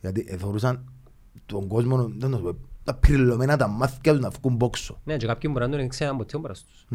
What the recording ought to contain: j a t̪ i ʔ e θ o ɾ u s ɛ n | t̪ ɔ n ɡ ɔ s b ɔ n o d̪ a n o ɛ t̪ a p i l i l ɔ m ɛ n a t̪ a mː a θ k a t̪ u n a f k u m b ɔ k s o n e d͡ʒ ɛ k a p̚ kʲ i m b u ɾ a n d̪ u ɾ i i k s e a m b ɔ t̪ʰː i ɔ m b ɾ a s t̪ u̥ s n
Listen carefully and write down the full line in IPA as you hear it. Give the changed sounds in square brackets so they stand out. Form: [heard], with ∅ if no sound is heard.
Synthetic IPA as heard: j a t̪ i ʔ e θ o ɾ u s [a] n | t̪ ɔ [ŋ] ɡ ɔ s [m] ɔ n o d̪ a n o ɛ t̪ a p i [ɾ] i l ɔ m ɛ n a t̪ a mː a θ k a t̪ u n a f k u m b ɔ k s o n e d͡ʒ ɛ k a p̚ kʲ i m b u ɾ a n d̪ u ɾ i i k s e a m b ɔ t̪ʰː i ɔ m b ɾ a s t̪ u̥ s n